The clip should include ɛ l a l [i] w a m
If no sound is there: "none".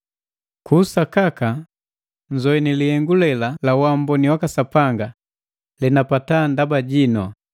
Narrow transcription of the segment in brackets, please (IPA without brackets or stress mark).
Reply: a